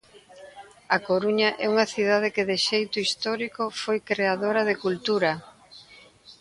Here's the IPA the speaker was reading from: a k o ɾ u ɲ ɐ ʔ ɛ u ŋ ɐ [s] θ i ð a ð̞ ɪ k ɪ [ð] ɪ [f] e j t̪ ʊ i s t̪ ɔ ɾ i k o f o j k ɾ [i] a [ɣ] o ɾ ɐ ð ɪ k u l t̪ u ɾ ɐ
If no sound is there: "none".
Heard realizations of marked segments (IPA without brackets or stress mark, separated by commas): none, ð, ʃ, e, ð